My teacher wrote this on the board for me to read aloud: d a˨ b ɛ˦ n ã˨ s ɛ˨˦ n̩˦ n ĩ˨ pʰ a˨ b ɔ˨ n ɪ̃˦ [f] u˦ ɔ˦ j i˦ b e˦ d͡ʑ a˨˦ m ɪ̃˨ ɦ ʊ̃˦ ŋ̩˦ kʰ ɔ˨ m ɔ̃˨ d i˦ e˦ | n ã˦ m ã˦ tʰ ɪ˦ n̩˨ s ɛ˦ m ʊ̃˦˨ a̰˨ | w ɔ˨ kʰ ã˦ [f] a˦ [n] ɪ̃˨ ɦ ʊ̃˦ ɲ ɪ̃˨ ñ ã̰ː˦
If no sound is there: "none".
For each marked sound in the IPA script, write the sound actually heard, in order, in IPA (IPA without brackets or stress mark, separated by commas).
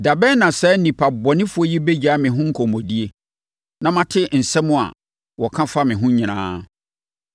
f, f, m